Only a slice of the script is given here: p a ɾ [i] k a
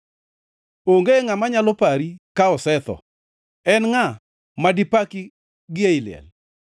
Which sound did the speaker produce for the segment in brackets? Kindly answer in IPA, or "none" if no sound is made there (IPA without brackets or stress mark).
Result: i